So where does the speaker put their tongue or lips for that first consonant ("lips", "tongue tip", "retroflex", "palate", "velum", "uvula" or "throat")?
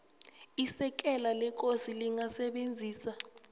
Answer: tongue tip